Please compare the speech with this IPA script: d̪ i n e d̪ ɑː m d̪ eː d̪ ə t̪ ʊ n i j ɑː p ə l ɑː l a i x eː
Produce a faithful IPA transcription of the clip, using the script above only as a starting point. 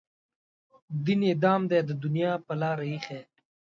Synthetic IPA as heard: d̪ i n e d̪ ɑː m d̪ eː d̪ ə d̪ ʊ n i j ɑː p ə l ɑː ɾ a i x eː